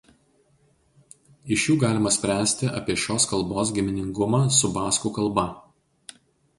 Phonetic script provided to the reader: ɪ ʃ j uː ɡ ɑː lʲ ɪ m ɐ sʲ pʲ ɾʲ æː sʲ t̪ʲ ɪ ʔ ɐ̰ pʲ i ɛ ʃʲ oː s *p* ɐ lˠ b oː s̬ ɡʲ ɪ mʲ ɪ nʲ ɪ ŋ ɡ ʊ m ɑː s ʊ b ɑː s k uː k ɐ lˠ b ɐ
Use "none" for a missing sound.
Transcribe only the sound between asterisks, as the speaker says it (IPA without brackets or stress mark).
k